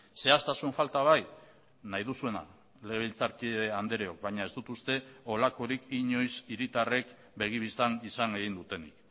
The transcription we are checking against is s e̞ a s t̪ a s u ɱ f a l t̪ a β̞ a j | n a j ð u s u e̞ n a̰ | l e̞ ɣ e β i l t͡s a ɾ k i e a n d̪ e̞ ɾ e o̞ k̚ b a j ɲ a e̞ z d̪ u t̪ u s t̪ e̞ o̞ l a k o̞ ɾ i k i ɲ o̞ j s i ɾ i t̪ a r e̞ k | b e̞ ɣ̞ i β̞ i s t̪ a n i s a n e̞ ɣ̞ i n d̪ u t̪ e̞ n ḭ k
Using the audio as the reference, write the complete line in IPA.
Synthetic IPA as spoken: s e̞ a s t̪ a s u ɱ f a l t̪ a β̞ a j | n a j ð u s u e̞ n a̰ | l e̞ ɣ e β i l t͡s a ɾ k i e a n d̪ e̞ ɾ e o̞ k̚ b a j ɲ a e̞ z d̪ u t̪ u s t̪ e̞ o̞ l a k o̞ ɾ i k i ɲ o̞ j s i ɾ i t̪ a r e̞ k | b e̞ ɣ̞ i β̞ i s t̪ a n i s a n e̞ ɣ̞ i n d̪ u t̪ e̞ n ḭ k

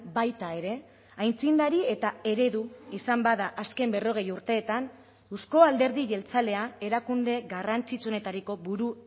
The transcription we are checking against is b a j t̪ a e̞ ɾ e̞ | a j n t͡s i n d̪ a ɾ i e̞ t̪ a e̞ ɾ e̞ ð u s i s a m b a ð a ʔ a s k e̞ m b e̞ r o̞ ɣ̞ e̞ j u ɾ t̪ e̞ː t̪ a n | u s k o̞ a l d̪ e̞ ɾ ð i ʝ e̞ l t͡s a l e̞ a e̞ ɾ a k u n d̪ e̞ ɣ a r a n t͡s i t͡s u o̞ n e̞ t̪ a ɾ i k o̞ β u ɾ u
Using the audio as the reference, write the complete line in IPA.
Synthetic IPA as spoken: b a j t̪ a e̞ ɾ e̞ | a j n t͡s i n d̪ a ɾ i e̞ t̪ a e̞ ɾ e̞ ð u i s a m b a ð a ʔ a s k e̞ m b e̞ r o̞ ɣ̞ e̞ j u ɾ t̪ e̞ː t̪ a n | u s k o̞ a l d̪ e̞ ɾ ð i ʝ e̞ l t͡s a l e̞ a e̞ ɾ a k u n d̪ e̞ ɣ a r a n t͡s i t͡s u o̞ n e̞ t̪ a ɾ i k o̞ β u ɾ u

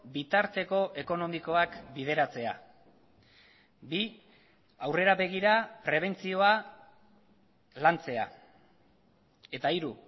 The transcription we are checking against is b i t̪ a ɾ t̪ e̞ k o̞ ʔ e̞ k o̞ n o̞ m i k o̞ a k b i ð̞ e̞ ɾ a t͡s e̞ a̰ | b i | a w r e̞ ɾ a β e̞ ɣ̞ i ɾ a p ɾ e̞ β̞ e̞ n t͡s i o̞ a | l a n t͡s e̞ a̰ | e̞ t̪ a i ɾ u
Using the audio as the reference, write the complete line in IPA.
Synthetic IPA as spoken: b i t̪ a ɾ t̪ e̞ k o̞ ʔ e̞ k o̞ n o̞ m i k o̞ a k b i ð̞ e̞ ɾ a t͡s e̞ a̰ | b i | a w r e̞ ɾ a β e̞ ɣ̞ i ɾ a p ɾ e̞ β̞ e̞ n t͡s i o̞ a | l a n t͡s e̞ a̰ | e̞ t̪ a i ɾ u

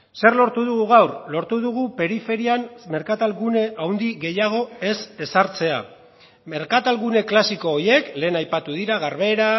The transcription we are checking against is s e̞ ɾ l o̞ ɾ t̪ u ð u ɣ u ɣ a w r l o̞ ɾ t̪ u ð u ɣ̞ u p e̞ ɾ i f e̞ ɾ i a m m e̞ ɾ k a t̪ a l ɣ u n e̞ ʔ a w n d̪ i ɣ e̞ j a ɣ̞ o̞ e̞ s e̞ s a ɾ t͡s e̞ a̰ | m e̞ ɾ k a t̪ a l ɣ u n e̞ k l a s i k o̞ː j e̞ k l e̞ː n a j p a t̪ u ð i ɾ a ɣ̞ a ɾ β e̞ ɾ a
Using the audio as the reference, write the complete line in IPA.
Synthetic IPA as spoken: s e̞ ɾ l o̞ ɾ t̪ u ð u ɣ u ɣ a w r l o̞ ɾ t̪ u ð u ɣ̞ u p e̞ ɾ i f e̞ ɾ i a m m e̞ ɾ k a t̪ a l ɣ u n e̞ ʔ a w n d̪ i ɣ e̞ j a ɣ̞ o̞ e̞ s e̞ s a ɾ t͡s e̞ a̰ | m e̞ ɾ k a t̪ a l ɣ u n e̞ k l a s i k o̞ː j e̞ k l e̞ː n a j p a t̪ u ð i ɾ a ɣ̞ a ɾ β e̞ ɾ a

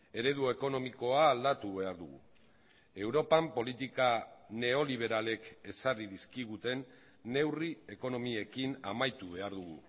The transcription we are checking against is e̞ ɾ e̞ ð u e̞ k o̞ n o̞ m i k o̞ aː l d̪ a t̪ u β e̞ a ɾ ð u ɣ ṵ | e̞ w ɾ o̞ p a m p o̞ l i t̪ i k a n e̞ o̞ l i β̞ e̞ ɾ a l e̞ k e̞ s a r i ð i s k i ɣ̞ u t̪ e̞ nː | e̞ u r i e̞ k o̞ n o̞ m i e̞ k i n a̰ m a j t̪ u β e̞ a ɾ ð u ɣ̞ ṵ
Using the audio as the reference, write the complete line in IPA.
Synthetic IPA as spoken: e̞ ɾ e̞ ð u e̞ k o̞ n o̞ m i k o̞ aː l d̪ a t̪ u β e̞ a ɾ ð u ɣ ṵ | e̞ w ɾ o̞ p a m p o̞ l i t̪ i k a n e̞ o̞ l i β̞ e̞ ɾ a l e̞ k e̞ s a r i ð i s k i ɣ̞ u t̪ e̞ nː | e̞ w r i e̞ k o̞ n o̞ m i e̞ k i n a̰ m a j t̪ u β e̞ a ɾ ð u ɣ̞ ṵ

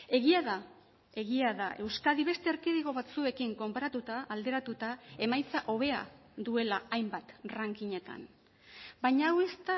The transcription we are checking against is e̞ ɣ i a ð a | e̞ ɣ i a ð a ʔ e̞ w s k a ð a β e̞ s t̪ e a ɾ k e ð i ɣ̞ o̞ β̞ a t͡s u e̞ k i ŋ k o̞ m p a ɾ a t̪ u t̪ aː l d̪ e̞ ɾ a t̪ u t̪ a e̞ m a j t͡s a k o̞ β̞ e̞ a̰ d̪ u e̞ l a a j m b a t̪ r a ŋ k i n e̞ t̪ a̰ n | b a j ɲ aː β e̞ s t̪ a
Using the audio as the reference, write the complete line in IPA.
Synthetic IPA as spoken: e̞ ɣ i a ð a | e̞ ɣ i a ð a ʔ e̞ w s k a ð i β e̞ s t̪ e a ɾ k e ð i ɣ̞ o̞ β̞ a t͡s u e̞ k i ŋ k o̞ m p a ɾ a t̪ u t̪ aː l d̪ e̞ ɾ a t̪ u t̪ a e̞ m a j t͡s a ʔ o̞ β̞ e̞ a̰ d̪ u e̞ l a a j m b a t̪ r a ŋ k i ɲ e̞ t̪ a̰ n | b a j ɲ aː w e̞ s t̪ a

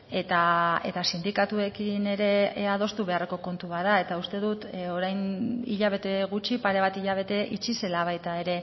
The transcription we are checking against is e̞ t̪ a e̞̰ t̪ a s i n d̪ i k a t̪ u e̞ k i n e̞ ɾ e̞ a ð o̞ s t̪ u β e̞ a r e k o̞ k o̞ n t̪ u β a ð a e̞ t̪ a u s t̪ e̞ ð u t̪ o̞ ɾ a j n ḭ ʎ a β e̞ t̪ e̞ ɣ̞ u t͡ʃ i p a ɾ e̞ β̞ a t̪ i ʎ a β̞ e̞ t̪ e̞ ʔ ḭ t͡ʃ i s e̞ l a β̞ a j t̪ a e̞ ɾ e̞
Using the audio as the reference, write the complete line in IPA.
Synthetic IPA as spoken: e̞ t̪ a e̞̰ t̪ a s i n d̪ i k a t̪ u e̞ k i n e̞ ɾ e̞ a ð o̞ s t̪ u β e̞ a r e k o̞ k o̞ n t̪ u β a ð a e̞ t̪ a u s t̪ e̞ ð u t̪ o̞ ɾ a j n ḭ ʎ a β e̞ t̪ e̞ ɣ̞ u t͡ʃ i p a ɾ e̞ β̞ a t̪ i ʎ a β̞ e̞ t̪ e̞ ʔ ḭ t͡ʃ i s e̞ l a β̞ a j t̪ a e̞ ɾ e̞

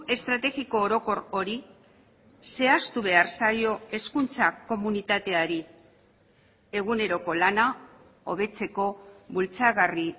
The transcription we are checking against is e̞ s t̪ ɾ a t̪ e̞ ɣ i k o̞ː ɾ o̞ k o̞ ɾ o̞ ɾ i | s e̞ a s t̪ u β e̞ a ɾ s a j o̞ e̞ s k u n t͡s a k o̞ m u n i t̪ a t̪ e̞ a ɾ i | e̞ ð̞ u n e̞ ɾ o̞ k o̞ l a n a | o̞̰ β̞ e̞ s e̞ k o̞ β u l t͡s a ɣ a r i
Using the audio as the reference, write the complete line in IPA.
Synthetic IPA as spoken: e̞ s t̪ ɾ a t̪ e̞ ɣ i k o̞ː ɾ o̞ k o̞ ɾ o̞ ɾ i | s e̞ a s t̪ u β e̞ a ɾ s a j o̞ e̞ s k u n t͡s a k o̞ m u n i t̪ a t̪ e̞ a ɾ i | e̞ ɣ̞ u n e̞ ɾ o̞ k o̞ l a n a | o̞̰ β̞ e̞ t͡s e̞ k o̞ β u l t͡s a ɣ a r i

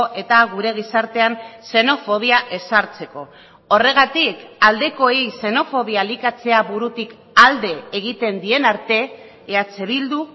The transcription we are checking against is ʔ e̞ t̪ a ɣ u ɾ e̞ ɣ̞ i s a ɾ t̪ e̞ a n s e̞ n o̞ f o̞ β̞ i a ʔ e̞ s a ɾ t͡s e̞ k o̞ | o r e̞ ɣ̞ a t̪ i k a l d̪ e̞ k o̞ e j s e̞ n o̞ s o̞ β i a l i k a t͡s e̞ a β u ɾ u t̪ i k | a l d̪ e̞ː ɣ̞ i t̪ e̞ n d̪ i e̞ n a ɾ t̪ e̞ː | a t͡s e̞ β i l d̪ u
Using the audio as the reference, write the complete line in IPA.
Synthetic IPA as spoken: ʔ e̞ t̪ a ɣ u ɾ e̞ ɣ̞ i s a ɾ t̪ e̞ a n s e̞ n o̞ f o̞ β̞ i a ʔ e̞ s a ɾ t͡s e̞ k o̞ | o r e̞ ɣ̞ a t̪ i k a l d̪ e̞ k o̞ e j s e̞ n o̞ f o̞ β i a l i k a t͡s e̞ a β u ɾ u t̪ i k | a l d̪ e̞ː ɣ̞ i t̪ e̞ n d̪ i e̞ n a ɾ t̪ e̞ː | a t͡s e̞ β i l d̪ u

